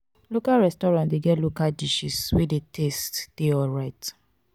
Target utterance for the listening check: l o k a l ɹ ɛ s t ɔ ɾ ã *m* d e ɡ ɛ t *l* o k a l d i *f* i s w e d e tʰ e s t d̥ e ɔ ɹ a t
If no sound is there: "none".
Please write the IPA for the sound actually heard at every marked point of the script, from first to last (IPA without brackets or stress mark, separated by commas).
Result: n, l, ʃ